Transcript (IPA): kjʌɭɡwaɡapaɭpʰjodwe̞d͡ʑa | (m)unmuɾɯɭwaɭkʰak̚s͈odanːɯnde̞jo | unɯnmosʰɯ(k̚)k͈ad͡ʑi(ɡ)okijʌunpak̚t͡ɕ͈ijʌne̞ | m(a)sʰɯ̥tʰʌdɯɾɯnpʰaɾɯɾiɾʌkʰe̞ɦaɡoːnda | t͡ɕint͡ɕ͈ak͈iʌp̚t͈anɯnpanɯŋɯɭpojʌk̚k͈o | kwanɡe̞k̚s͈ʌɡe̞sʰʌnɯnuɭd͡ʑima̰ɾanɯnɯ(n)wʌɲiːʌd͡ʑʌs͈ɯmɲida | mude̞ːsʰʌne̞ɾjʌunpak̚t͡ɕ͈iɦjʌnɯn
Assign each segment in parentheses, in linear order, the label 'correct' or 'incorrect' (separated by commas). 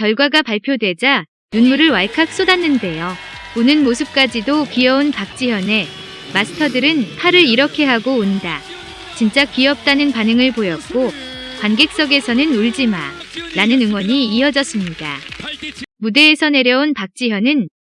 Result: incorrect, incorrect, incorrect, correct, incorrect